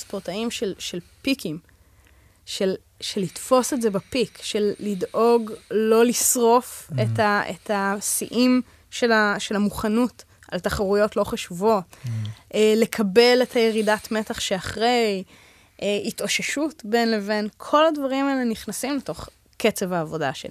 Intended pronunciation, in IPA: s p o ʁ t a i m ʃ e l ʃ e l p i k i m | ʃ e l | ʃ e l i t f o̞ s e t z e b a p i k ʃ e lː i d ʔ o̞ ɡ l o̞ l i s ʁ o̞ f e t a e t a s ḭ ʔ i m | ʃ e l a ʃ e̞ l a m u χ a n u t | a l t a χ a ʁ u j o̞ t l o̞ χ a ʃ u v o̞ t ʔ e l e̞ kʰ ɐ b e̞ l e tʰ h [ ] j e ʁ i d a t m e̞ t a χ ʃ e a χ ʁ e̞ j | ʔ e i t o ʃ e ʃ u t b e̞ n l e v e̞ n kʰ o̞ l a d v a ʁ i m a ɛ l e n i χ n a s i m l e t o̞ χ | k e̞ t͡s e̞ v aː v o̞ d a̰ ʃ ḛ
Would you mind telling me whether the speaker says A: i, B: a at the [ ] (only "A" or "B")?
B